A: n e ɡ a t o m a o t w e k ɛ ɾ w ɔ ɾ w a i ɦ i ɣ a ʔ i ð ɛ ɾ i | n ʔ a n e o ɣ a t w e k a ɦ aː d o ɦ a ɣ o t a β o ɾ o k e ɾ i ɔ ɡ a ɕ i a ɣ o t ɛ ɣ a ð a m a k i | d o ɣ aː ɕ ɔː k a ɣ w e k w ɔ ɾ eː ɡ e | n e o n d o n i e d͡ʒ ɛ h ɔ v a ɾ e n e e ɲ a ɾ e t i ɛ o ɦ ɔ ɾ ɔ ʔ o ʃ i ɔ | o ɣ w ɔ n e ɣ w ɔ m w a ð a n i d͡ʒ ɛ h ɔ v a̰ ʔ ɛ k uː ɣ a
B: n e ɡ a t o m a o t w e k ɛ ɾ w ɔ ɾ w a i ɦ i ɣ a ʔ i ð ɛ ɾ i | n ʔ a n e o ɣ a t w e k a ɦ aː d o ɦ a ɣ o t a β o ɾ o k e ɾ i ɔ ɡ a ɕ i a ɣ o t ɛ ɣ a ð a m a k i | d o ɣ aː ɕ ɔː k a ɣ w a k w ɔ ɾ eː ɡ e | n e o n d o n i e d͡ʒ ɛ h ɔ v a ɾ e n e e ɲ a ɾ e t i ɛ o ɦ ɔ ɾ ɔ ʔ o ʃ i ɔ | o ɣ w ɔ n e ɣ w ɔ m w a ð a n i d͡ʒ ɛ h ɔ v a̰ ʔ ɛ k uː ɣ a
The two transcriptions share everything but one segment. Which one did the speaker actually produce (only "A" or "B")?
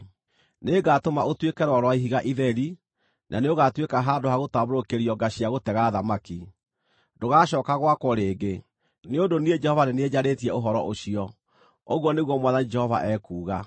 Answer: B